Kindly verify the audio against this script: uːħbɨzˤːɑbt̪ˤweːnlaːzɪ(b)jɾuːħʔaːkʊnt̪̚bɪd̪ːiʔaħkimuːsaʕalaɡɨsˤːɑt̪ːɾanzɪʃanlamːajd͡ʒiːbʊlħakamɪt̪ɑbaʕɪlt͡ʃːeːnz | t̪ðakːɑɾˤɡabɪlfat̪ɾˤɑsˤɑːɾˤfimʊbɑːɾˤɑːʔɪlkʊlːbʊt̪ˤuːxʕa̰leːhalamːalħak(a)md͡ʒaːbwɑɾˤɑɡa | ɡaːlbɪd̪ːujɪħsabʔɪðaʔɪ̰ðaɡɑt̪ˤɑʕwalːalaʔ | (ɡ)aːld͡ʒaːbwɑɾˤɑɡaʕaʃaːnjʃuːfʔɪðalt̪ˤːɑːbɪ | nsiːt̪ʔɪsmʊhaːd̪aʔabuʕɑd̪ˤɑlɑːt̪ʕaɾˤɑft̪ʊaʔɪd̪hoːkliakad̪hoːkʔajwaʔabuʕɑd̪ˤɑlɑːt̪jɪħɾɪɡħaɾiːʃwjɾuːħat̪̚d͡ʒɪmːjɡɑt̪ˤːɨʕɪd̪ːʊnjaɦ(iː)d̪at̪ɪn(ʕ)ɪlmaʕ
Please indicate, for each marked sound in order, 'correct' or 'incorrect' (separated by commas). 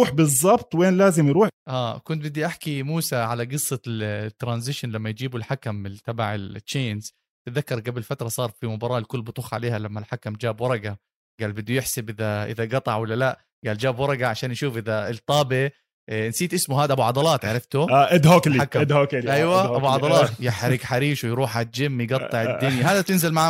incorrect, correct, correct, incorrect, incorrect